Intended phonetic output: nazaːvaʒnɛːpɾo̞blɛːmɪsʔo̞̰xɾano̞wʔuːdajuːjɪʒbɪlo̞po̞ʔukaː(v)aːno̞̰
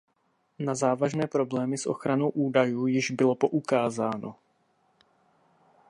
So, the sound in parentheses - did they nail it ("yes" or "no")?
no